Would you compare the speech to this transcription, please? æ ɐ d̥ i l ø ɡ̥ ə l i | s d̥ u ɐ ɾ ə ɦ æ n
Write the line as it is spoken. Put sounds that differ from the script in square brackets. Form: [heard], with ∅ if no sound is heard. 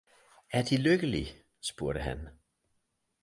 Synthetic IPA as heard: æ ɐ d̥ i l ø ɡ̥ ə l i | s [b̥] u ɐ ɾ ə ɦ æ n